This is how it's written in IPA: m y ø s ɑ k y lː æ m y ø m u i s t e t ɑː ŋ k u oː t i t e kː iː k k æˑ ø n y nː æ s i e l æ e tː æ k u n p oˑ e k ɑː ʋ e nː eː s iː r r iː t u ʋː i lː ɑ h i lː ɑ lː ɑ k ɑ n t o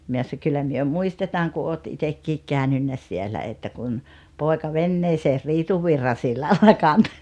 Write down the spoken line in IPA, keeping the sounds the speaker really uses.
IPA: m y ø s ɑ k y lː æ m y ø m u i s t e t ɑː ŋ k u oː t i t e kː iː k k æˑ ø n y nː æ s i e l æ e tː æ k u n p oˑ e k ɑ ʋ e nː eː s eː r r iː t u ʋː i rː ɑ s i lː ɑ lː ɑ k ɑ n t o